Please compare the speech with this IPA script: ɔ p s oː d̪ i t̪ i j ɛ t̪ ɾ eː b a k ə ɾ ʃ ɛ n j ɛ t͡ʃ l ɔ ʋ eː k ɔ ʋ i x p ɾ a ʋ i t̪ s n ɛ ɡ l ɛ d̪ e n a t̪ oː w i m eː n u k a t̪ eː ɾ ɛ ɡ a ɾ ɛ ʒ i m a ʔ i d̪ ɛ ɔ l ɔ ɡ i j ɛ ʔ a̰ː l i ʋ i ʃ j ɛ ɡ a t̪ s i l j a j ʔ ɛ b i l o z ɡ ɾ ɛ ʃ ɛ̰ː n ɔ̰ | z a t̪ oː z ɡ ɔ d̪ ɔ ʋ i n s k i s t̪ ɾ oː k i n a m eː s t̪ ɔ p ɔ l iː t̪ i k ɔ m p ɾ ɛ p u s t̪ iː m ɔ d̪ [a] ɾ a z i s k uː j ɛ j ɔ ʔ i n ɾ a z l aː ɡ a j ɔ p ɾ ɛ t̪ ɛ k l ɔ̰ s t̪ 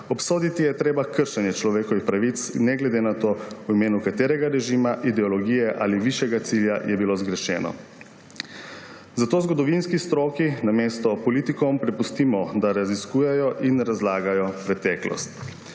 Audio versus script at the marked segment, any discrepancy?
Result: no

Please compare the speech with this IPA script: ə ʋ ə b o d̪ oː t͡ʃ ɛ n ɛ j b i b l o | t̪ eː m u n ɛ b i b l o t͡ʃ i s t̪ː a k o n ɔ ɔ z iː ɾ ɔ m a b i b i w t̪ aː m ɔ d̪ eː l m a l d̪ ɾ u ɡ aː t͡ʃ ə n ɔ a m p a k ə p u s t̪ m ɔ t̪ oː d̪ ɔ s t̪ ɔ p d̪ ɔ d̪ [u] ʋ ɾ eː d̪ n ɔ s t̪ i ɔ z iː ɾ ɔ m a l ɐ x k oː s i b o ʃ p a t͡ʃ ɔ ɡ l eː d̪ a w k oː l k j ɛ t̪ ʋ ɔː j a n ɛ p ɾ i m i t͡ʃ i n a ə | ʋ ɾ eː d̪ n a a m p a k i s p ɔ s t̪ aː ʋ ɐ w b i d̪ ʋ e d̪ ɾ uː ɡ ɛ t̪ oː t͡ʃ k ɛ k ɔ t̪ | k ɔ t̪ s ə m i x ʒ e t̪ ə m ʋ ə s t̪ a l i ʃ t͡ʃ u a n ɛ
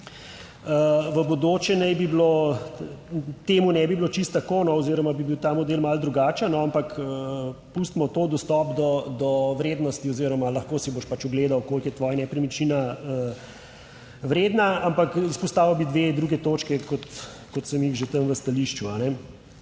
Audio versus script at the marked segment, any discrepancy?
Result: yes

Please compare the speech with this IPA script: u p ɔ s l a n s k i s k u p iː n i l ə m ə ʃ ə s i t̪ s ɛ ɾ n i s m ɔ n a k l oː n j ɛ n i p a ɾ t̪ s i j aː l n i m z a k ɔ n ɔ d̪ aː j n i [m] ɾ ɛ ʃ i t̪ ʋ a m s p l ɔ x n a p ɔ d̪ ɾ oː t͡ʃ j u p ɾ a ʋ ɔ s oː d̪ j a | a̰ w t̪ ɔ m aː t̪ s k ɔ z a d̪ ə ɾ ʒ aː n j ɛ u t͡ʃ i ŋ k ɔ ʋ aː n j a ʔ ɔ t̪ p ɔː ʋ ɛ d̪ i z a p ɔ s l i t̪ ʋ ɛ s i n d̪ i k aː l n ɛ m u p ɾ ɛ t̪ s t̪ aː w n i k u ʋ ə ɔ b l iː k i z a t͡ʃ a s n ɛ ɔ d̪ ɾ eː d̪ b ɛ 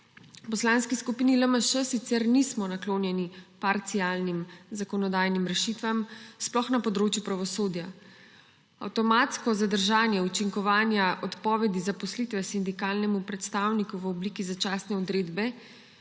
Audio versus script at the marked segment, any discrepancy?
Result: no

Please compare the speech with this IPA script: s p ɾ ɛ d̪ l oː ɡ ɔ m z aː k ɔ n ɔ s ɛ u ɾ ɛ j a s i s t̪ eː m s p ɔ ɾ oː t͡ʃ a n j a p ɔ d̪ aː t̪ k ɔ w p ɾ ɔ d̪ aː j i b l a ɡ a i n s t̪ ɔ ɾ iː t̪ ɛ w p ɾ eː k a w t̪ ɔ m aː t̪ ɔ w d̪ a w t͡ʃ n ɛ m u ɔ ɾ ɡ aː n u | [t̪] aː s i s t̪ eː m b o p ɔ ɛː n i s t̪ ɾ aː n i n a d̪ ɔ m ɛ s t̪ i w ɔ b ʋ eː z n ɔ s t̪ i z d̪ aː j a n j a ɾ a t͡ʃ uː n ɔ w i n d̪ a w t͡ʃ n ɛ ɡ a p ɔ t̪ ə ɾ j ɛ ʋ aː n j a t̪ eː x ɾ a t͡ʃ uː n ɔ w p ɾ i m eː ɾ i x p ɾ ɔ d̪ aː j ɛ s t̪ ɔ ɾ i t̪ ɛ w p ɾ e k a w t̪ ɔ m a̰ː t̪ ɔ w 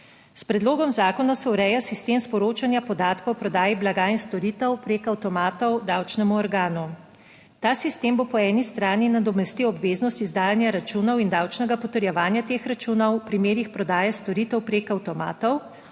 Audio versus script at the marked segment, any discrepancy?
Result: no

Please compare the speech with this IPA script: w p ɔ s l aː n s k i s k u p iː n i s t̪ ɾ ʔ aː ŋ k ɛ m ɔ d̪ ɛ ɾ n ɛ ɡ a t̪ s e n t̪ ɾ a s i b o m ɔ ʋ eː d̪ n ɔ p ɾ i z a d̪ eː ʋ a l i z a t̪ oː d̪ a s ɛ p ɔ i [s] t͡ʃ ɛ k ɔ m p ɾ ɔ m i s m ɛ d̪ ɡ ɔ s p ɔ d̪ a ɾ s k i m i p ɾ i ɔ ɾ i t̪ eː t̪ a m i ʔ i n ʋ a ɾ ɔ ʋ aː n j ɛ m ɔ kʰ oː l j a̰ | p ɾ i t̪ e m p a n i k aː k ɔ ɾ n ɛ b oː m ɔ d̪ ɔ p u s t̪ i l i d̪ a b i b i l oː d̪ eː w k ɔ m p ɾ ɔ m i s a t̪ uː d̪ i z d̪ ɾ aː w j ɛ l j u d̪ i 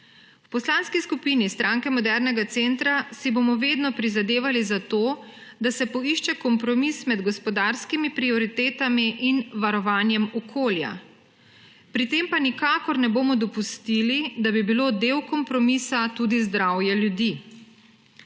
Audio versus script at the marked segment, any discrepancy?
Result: yes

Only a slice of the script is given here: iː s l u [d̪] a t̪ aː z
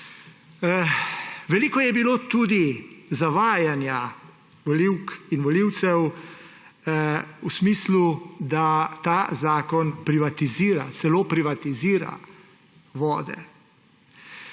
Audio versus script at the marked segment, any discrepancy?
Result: no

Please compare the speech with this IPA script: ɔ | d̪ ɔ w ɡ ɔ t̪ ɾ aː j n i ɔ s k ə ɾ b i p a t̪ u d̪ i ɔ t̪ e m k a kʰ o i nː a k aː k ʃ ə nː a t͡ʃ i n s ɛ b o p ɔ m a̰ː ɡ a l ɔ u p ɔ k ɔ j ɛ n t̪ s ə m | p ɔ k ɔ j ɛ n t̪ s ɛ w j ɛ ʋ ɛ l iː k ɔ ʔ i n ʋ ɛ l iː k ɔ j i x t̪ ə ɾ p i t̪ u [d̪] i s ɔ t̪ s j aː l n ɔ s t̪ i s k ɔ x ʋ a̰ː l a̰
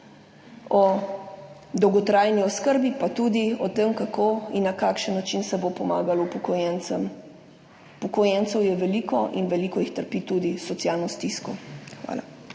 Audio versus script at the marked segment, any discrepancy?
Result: no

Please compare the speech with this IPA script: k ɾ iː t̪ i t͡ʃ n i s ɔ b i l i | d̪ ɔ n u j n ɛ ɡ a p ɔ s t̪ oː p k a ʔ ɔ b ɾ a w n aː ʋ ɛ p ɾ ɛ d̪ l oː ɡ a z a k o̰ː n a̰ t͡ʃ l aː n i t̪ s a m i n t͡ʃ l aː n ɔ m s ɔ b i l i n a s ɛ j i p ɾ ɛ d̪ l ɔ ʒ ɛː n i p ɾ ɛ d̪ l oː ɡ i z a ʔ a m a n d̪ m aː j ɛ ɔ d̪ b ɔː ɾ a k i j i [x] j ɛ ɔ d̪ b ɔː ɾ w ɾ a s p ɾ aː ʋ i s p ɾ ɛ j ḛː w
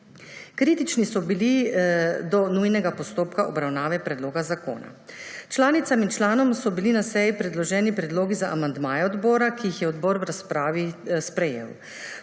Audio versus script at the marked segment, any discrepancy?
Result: no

